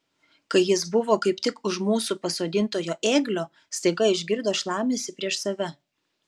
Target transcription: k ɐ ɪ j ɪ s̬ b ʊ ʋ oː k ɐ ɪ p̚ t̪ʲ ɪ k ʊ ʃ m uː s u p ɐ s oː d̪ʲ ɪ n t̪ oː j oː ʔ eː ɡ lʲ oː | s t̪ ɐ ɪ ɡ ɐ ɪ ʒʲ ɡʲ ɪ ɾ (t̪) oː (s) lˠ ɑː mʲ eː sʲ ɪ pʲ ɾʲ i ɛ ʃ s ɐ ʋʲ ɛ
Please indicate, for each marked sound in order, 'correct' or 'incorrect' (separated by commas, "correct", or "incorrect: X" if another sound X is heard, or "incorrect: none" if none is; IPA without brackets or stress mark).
incorrect: d̪, incorrect: ʃ